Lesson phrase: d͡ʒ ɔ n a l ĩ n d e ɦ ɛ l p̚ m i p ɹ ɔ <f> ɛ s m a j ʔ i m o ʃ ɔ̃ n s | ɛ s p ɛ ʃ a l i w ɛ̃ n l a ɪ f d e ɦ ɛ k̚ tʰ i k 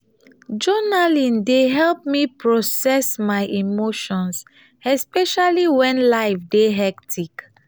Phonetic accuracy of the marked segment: incorrect: s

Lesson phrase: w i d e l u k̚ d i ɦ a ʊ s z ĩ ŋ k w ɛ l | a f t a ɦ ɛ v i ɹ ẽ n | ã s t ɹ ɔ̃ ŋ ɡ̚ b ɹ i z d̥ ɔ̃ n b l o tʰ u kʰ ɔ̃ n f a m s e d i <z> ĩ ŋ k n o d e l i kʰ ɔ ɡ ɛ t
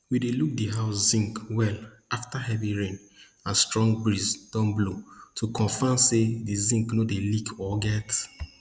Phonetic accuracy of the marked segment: correct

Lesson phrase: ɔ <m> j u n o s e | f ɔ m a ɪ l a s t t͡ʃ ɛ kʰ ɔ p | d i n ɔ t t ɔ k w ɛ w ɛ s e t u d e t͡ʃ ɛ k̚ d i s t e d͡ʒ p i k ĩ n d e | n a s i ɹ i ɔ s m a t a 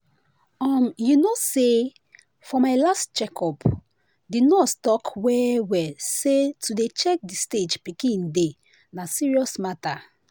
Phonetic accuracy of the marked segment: correct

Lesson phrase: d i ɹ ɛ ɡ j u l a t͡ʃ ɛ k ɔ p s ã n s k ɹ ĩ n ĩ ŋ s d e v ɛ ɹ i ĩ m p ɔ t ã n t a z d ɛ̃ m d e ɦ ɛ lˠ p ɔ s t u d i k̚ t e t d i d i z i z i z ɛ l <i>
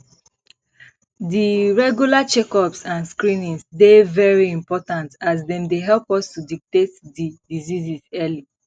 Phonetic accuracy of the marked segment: correct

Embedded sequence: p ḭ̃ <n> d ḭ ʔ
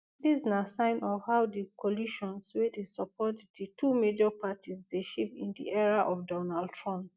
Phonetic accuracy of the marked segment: correct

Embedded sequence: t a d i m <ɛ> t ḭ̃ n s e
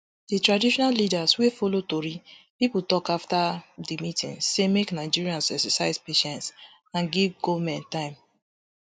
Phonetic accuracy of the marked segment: incorrect: i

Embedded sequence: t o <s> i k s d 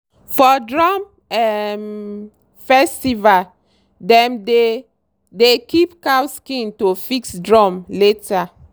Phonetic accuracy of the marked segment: incorrect: f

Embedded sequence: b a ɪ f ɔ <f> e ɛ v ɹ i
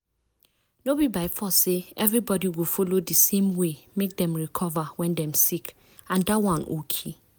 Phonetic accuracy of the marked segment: incorrect: s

